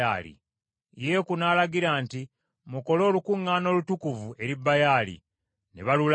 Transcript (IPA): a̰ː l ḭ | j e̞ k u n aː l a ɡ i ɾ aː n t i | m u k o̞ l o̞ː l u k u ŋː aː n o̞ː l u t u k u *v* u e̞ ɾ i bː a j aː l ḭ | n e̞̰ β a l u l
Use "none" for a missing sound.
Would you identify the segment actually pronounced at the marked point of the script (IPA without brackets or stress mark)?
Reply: v